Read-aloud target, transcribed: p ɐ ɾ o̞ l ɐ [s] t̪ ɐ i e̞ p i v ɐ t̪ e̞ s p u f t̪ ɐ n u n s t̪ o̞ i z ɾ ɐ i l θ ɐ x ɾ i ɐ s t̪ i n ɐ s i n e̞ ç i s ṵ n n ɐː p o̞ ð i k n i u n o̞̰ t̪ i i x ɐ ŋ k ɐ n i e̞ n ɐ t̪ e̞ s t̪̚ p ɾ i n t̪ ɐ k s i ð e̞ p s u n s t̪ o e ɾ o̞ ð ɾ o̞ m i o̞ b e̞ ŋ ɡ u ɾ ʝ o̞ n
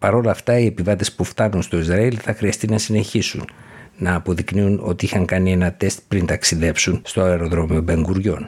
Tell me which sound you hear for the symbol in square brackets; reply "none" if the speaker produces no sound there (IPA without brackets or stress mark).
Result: f